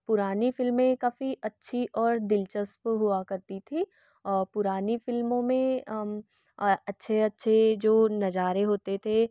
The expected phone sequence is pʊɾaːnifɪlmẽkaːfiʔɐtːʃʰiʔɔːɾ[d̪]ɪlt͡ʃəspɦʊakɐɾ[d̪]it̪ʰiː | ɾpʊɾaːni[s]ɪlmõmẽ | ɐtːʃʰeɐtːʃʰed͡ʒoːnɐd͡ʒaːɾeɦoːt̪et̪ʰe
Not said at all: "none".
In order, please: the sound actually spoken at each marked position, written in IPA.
d̪, t̪, f

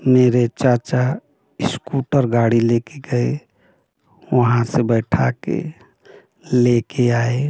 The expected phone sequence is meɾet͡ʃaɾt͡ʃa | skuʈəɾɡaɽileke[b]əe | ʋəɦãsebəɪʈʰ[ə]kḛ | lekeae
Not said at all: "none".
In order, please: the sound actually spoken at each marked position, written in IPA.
ɡ, a

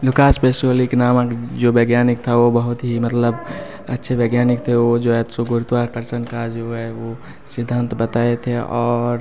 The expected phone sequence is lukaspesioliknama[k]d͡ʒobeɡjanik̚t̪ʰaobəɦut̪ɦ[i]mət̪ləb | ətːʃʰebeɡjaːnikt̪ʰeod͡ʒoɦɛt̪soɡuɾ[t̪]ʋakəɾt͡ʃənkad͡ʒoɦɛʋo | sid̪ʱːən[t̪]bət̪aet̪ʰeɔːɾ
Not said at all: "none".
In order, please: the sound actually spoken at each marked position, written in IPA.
k, i, t̪, t̪

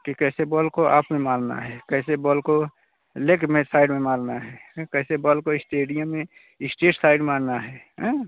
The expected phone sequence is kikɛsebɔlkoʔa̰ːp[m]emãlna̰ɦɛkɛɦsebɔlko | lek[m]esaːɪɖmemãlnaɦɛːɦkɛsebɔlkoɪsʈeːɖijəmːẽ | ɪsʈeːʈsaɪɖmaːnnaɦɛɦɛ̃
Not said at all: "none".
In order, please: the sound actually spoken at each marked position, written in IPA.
m, m

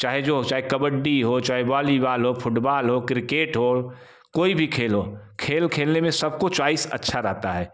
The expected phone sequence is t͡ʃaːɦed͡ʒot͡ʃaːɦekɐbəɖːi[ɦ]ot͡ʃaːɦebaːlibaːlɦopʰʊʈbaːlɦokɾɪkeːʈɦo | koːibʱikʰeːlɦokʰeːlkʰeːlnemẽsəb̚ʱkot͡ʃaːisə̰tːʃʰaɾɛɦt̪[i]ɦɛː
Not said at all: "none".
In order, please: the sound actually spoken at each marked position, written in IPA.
ɦ, a

